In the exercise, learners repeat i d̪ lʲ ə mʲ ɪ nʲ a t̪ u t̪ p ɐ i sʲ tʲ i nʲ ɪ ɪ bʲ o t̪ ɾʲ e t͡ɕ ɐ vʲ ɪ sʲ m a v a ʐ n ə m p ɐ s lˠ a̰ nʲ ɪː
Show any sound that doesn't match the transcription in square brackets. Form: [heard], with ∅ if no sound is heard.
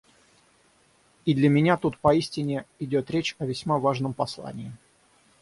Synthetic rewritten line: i d̪ lʲ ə mʲ ɪ nʲ a t̪ u t̪ p ɐ i sʲ tʲ [ɪ] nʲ ɪ ɪ [dʲ] o t̪ ɾʲ e t͡ɕ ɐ vʲ ɪ sʲ m a v a ʐ n ə m p ɐ s lˠ a̰ nʲ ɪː